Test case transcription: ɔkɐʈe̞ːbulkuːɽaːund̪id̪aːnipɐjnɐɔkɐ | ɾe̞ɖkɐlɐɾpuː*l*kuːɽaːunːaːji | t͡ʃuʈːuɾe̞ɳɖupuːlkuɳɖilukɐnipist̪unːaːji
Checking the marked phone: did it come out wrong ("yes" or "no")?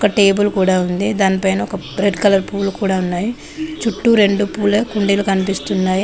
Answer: no